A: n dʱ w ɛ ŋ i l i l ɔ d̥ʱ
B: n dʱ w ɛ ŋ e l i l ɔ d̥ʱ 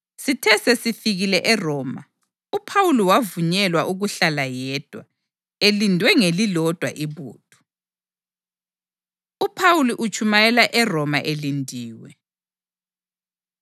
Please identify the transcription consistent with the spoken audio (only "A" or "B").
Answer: B